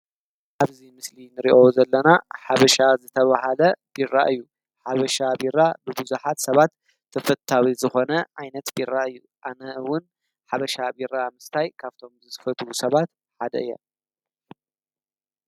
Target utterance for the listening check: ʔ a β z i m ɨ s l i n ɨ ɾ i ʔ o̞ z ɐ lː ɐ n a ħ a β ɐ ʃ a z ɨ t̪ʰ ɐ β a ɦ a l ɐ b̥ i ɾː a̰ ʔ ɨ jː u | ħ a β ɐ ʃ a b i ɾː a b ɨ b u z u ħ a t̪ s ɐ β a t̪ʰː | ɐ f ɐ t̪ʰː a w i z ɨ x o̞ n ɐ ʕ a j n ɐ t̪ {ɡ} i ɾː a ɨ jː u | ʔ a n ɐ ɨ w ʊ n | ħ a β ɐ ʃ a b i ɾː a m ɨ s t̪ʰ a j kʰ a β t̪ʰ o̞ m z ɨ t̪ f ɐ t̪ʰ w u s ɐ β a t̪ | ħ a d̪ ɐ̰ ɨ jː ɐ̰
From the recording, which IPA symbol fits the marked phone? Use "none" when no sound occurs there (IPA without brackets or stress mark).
b